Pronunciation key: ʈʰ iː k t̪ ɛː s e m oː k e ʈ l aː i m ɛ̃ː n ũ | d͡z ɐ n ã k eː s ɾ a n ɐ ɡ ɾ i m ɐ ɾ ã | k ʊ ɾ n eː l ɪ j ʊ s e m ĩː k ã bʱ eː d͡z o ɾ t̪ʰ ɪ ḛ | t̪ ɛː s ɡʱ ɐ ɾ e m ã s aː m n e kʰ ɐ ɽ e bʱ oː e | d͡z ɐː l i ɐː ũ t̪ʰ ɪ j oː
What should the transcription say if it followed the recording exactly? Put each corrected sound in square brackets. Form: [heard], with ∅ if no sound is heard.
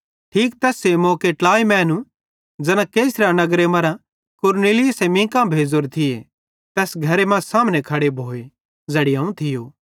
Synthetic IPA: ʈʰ iː k t̪ ɛː s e m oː k e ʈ l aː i m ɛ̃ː n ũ | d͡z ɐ n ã k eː s ɾ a n ɐ ɡ ɾ [e] m ɐ ɾ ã | k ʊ ɾ n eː l ɪ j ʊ s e m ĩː k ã bʱ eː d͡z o ɾ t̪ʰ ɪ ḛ | t̪ ɛː s ɡʱ ɐ ɾ e m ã s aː m n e kʰ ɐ ɽ e bʱ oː e | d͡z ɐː [ɽ] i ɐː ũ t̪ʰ ɪ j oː